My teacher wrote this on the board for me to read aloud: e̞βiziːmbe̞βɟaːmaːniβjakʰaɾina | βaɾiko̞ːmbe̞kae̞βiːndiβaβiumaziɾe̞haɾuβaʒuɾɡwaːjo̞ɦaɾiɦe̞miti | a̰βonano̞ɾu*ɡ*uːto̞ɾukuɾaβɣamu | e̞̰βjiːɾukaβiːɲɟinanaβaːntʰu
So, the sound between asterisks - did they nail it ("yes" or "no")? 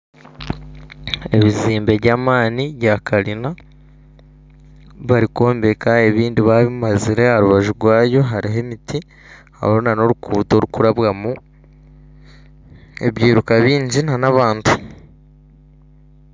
no